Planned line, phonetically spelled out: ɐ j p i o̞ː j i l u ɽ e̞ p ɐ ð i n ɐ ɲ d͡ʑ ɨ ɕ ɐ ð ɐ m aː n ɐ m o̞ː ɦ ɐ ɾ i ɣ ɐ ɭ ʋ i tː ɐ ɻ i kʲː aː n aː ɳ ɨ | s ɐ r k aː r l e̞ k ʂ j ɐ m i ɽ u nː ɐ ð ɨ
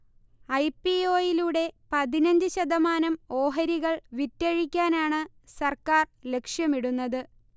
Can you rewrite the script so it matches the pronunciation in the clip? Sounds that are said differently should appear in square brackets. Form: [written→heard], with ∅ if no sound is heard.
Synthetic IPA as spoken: ɐ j p i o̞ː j i l u ɽ e̞ p ɐ ð i n ɐ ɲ d͡ʑ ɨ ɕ ɐ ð ɐ m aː n ɐ m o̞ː ɦ ɐ ɾ i ɣ ɐ ɭ ʋ i tː ɐ ɻ i kʲː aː n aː ɳ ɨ | s ɐ r k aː r l e̞ k ʂ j ɐ m i ɽ u nː ɐ ð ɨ